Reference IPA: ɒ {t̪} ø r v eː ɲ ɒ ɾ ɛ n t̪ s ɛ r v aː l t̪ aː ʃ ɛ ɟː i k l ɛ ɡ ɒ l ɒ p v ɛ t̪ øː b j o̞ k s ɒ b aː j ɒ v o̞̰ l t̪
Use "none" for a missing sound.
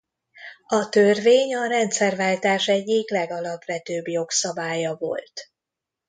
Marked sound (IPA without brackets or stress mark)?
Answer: t̪